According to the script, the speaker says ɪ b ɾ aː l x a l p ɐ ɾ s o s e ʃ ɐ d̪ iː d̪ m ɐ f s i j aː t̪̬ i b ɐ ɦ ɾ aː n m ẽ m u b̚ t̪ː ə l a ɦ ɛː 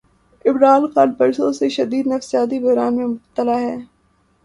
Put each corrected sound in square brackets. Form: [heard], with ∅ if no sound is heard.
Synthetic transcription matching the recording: ɪ b ɾ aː l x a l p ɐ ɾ s o s e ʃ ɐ d̪ iː d̪ [n] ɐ f s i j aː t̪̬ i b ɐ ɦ ɾ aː n m ẽ m [ʊ] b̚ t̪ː ə l a ɦ ɛː